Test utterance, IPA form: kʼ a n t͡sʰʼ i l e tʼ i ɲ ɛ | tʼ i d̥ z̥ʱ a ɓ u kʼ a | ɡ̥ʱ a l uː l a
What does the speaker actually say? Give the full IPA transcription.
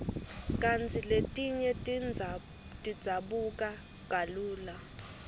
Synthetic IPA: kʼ a n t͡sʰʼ i l e tʼ i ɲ ɛ | tʼ i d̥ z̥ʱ a ɓ u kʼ a | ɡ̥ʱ a l uː l a